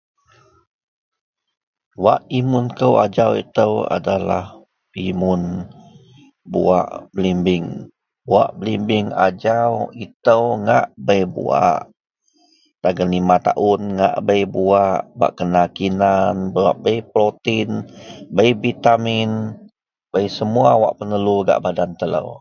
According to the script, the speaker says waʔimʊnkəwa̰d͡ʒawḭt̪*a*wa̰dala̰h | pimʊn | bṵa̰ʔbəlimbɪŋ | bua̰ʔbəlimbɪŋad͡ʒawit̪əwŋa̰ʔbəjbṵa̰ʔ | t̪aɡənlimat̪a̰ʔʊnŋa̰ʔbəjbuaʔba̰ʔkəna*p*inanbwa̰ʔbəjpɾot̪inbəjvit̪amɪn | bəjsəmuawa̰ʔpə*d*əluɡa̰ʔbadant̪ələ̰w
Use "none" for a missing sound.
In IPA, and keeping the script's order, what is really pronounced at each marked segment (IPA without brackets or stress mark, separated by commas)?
ə, k, n